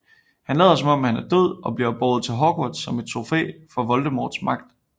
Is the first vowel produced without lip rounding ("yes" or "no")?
yes